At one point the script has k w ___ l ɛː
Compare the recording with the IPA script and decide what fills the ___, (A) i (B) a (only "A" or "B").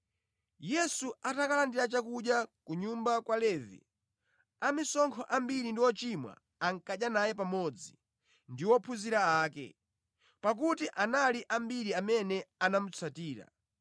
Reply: B